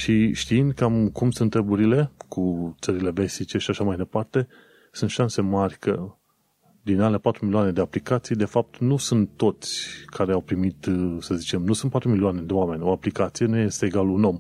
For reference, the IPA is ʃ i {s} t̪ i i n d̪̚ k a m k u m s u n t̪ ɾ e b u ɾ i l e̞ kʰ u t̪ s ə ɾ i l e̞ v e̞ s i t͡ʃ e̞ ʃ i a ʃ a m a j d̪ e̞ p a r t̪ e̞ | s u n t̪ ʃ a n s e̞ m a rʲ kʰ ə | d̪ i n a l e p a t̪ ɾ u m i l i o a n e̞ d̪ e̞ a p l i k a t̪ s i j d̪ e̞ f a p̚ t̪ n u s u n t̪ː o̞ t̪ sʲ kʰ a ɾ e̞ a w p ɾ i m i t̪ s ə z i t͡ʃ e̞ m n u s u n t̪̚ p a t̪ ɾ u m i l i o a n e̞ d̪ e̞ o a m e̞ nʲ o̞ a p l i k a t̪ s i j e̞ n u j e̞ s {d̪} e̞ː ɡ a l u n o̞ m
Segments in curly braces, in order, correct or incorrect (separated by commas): incorrect, incorrect